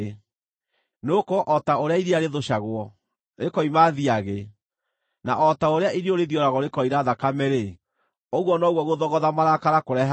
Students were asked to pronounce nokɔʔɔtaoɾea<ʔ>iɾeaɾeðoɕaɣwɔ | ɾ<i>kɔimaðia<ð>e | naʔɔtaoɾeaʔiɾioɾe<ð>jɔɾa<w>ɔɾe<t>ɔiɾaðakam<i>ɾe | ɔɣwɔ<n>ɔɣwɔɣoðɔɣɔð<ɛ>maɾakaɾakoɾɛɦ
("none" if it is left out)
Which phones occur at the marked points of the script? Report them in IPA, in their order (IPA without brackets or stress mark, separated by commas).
none, e, ɣ, ð, ɣ, k, ɛ, n, a